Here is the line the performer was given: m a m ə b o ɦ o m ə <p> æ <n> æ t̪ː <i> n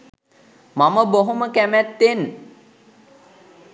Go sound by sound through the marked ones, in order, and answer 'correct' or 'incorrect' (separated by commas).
incorrect, incorrect, incorrect